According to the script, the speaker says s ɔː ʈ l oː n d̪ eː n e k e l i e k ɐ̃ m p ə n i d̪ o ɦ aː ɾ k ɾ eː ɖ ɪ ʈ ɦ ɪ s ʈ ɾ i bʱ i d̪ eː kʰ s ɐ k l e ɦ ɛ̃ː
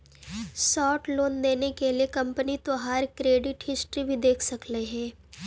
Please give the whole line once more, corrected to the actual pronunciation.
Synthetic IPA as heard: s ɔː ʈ l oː n d̪ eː n e k e l i e k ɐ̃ m p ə n i t̪ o ɦ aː ɾ k ɾ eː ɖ ɪ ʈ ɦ ɪ s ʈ ɾ i bʱ i d̪ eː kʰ s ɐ k l e ɦ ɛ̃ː

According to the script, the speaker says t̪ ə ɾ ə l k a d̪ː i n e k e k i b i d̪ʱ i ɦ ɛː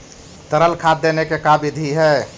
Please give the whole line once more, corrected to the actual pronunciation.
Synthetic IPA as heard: t̪ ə ɾ ə l kʰ a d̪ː e n e k e k a b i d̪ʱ i ɦ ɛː

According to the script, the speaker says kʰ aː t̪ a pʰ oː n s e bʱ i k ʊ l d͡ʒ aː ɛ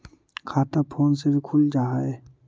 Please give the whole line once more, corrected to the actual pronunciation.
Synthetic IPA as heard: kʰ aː t̪ a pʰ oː n s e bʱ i kʰ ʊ l d͡ʒ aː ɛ

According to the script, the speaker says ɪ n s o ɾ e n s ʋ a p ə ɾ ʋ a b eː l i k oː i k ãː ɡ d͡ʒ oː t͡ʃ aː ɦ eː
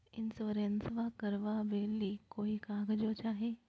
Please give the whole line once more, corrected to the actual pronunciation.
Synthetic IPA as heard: ɪ n s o ɾ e n s ʋ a k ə ɾ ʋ a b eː l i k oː i k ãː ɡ d͡ʒ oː t͡ʃ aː ɦ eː

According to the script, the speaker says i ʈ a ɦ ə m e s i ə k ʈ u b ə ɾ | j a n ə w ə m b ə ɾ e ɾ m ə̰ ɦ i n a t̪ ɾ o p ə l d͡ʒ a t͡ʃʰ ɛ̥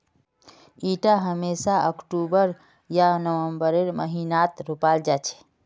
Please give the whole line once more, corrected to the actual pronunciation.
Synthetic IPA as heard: i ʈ a ɦ ə m e s a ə k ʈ u b ə ɾ | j a n ə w ə m b ə ɾ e ɾ m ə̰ ɦ i n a t̪ ɾ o p a l d͡ʒ a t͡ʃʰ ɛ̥

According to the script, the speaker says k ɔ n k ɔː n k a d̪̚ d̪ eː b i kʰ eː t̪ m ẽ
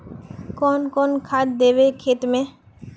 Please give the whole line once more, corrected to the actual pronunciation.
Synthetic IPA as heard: k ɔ n k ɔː n kʰ a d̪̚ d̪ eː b e kʰ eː t̪ m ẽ

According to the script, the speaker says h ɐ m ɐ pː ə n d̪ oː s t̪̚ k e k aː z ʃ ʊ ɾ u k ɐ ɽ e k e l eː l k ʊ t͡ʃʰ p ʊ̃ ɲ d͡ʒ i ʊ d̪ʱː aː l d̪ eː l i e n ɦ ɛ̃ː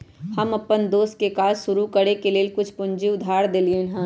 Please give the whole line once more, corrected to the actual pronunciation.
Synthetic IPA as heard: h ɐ m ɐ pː ə n d̪ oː s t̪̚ k e k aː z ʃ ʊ ɾ u k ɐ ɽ e k e l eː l k ʊ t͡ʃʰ p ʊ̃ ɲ d͡ʒ i ʊ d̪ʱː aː ɾ d̪ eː l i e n ɦ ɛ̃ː

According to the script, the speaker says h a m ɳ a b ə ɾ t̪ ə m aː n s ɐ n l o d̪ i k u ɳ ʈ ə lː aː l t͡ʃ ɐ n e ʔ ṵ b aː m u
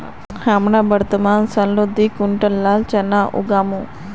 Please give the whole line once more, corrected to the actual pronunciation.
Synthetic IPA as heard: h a m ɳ a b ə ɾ t̪ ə m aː n s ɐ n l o d̪ i k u ɳ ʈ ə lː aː l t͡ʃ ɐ n a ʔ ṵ ɡ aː m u

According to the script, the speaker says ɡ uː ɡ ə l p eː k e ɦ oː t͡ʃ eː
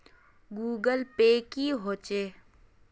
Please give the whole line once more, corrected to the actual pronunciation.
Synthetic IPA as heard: ɡ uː ɡ ə l p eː k i ɦ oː t͡ʃ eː

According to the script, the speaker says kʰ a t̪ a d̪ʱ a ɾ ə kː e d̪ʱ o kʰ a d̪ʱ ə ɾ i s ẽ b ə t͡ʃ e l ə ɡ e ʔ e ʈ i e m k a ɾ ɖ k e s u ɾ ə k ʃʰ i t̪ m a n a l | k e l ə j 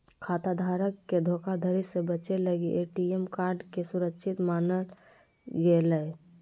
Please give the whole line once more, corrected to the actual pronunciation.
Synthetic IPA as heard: kʰ a t̪ a d̪ʱ a ɾ ə kː e d̪ʱ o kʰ a d̪ʱ ə ɾ i s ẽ b ə t͡ʃ e l ə ɡ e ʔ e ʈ i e m k a ɾ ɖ k e s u ɾ ə k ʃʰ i t̪ m a n ə l | ɡ e l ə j

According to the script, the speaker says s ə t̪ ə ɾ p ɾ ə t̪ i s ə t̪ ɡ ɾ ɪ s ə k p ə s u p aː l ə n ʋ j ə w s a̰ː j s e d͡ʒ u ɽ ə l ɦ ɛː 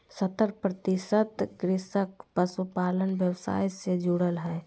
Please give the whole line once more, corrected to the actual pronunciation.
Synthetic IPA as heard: s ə t̪ ə ɾ p ɾ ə t̪ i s ə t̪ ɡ ɾ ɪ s ə k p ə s u p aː l ə n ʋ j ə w s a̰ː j s e d͡ʒ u ɽ ə l ɦ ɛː

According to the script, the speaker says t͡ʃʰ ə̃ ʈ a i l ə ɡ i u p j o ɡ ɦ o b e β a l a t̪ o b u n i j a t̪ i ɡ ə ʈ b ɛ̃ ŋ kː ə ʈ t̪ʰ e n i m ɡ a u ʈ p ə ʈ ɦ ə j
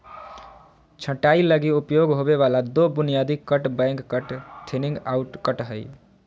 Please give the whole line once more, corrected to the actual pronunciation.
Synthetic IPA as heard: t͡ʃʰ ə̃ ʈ a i l ə ɡ i u p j o ɡ ɦ o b e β a l a d̪ o b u n i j a d̪ i k ə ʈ b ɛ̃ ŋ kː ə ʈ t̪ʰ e n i ŋ ɡ a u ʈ k ə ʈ ɦ ə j

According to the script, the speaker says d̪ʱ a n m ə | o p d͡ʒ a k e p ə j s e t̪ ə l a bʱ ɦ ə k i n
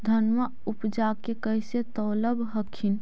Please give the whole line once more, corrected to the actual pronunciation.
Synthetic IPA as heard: d̪ʱ ə n m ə | u p d͡ʒ a k e k ə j s e t̪ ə l ə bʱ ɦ ə kʰ i n

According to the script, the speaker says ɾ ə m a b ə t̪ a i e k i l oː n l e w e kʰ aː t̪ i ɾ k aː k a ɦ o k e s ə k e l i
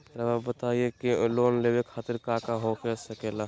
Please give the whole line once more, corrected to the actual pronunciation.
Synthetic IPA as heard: ɾ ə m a b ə t̪ a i e k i l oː n l e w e kʰ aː t̪ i ɾ k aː k a ɦ o k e s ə k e l a

